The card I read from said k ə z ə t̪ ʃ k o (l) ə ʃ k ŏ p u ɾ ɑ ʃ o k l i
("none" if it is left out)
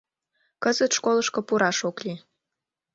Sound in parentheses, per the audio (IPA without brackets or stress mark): l